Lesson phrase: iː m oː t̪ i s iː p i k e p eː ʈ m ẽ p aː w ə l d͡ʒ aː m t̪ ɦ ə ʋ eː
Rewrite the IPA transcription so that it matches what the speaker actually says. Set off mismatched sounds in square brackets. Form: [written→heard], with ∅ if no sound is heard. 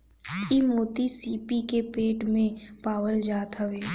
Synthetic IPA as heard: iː m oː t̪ i s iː p i k e p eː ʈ m ẽ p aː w ə l d͡ʒ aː [m→∅] t̪ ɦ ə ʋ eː